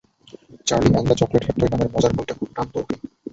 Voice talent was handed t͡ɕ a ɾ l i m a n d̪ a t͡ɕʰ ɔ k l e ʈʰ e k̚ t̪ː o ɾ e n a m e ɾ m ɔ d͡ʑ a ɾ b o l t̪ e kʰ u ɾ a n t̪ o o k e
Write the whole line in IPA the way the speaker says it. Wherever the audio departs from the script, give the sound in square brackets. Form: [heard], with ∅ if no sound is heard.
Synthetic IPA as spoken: t͡ɕ a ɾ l i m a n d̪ a [t͡ɕ] ɔ k l e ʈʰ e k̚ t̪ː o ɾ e n a m e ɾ m ɔ d͡ʑ a ɾ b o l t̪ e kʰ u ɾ a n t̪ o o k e